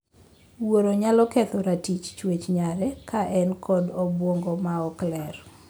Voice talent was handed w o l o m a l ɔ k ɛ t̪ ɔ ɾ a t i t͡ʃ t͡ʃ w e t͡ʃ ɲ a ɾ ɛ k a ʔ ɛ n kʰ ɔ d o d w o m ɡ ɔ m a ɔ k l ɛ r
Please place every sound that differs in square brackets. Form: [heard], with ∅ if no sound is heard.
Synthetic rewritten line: w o [ɾ] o [ɲ] a l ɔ k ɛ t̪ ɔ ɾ a t i t͡ʃ t͡ʃ w e t͡ʃ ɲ a ɾ ɛ k a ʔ ɛ n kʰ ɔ d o [b] w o [ŋ] ɡ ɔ m a ɔ k l ɛ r